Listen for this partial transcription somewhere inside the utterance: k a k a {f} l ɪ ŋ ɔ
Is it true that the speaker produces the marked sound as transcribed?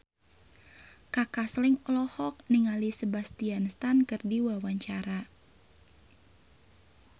no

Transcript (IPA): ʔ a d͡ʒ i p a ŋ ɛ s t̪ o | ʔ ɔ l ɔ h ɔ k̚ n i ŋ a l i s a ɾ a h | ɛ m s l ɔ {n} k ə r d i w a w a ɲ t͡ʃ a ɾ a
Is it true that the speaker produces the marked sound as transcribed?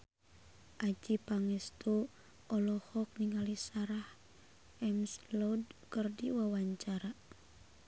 no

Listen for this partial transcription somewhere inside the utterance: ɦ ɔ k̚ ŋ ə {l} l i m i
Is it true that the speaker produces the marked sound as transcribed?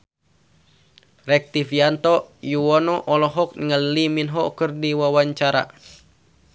yes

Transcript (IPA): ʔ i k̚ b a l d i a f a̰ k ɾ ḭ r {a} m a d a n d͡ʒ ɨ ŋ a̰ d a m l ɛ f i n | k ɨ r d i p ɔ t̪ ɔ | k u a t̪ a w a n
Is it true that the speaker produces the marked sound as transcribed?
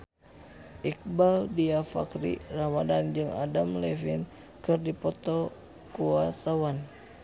yes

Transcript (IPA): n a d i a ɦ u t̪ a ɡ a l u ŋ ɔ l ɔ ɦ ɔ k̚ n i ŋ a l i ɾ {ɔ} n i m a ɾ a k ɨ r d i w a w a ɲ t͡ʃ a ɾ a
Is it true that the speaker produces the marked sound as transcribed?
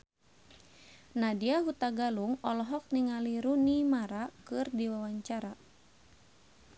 no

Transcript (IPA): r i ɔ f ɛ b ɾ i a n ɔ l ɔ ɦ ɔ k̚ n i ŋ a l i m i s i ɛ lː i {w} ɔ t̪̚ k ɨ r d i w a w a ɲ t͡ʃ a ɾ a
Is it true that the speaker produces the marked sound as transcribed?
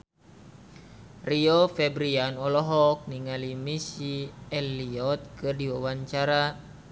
no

